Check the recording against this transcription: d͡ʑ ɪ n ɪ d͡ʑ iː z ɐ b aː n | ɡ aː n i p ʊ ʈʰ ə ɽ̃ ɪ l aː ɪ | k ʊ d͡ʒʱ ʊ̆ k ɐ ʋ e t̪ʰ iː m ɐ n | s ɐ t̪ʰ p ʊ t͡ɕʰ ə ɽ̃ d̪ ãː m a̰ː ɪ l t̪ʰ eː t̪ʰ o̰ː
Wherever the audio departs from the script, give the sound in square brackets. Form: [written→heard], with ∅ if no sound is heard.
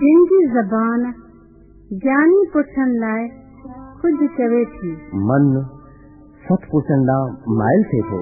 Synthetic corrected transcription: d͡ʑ ɪ n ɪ d͡ʑ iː z ɐ b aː n | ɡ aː n i p ʊ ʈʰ ə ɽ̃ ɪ l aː ɪ | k ʊ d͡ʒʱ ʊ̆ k ɐ ʋ e t̪ʰ iː m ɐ n | s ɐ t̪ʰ p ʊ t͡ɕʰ ə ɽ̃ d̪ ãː m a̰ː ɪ l t̪ʰ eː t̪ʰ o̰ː